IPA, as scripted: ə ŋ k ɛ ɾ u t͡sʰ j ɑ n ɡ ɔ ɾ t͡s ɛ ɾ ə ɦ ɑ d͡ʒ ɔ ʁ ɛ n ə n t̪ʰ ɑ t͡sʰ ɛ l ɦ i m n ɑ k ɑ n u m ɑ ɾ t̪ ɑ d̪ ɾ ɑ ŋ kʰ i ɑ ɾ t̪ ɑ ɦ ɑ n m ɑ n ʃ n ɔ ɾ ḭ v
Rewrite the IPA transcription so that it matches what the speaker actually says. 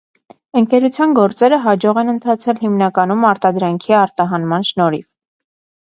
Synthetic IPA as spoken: ə ŋ k ɛ ɾ u t͡sʰ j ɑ n ɡ ɔ ɾ t͡s ɛ ɾ ə ɦ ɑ d͡ʒ ɔ ʁ ɛ n ə n t̪ʰ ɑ t͡sʰ ɛ l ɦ i m n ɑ k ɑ n u m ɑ ɾ t̪ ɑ d̪ ɾ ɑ ŋ kʰ i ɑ ɾ t̪ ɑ ɦ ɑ n m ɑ n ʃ n ɔ ɾ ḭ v